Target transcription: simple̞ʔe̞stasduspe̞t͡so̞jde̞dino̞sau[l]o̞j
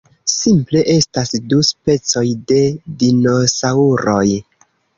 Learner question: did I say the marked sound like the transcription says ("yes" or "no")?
no